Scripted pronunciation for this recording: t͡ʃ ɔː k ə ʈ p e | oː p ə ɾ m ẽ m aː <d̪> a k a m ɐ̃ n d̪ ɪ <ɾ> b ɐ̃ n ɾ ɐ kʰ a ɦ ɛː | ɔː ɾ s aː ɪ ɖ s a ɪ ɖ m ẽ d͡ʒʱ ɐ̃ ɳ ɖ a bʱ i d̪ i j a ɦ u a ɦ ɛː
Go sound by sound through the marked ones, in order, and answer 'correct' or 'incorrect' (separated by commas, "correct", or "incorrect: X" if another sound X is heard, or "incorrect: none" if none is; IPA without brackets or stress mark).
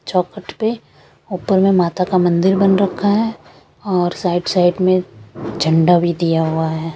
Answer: incorrect: t̪, correct